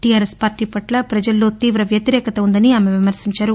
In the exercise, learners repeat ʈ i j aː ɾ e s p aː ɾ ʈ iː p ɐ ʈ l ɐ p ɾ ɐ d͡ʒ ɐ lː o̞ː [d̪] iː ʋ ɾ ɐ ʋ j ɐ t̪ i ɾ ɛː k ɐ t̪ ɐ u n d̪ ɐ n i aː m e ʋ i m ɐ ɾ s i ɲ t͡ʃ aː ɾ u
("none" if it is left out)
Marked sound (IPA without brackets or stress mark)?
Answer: t̪